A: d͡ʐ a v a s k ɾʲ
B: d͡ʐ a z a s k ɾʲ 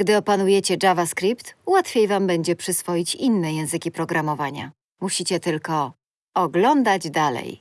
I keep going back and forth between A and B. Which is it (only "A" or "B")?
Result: A